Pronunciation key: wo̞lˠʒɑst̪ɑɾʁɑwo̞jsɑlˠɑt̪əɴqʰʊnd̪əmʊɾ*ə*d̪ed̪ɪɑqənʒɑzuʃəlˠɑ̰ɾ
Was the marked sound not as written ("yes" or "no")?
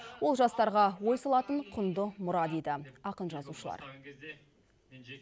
yes